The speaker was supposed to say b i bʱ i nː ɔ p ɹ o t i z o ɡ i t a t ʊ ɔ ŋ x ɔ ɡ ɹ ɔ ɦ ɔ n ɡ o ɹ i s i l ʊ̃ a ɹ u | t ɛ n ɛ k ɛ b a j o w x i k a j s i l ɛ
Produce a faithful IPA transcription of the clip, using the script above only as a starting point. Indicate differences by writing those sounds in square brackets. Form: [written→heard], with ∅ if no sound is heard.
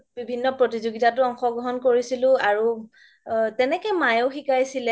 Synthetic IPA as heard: b i bʱ i nː ɔ p ɹ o t i z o ɡ i t a t ʊ ɔ ŋ x ɔ ɡ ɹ ɔ ɦ ɔ n [ɡ→k] o ɹ i s i l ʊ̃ a ɹ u | t ɛ n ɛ k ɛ [b→m] a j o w x i k a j s i l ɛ